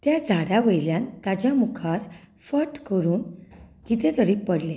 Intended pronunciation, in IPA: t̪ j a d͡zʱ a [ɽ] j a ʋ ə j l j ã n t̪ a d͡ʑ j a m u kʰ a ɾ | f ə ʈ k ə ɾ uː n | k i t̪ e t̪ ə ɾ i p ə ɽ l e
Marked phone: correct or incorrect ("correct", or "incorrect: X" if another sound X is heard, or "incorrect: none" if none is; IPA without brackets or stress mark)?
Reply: correct